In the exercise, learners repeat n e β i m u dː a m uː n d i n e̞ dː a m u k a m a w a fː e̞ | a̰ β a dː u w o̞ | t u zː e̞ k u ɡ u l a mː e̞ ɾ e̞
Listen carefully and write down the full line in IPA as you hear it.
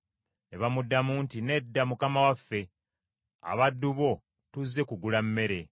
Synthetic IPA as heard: n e β a m u dː a m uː n t i n e̞ dː a m u k a m a w a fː e̞ | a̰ β a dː u β o̞ | t u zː e̞ k u ɡ u l a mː e̞ ɾ e̞